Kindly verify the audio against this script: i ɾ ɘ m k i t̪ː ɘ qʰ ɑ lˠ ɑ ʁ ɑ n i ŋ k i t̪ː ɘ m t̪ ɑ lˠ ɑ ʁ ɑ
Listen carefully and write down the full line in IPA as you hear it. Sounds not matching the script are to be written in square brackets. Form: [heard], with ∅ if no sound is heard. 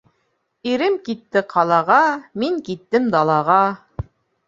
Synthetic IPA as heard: i ɾ ɘ m k i t̪ː ɘ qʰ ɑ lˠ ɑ ʁ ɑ [m] i ŋ k i t̪ː ɘ m [d̪] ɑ lˠ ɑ ʁ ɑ